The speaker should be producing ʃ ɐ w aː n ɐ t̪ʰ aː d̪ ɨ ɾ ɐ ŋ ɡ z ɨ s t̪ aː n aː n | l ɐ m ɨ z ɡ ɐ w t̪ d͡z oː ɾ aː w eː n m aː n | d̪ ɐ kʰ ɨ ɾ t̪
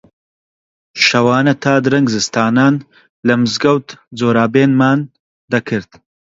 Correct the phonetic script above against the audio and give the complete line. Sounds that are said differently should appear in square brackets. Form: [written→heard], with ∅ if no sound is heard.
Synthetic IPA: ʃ ɐ w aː n ɐ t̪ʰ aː d̪ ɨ ɾ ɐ ŋ ɡ z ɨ s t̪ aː n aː n | l ɐ m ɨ z ɡ ɐ w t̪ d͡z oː ɾ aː [w→b] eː n m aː n | d̪ ɐ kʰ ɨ ɾ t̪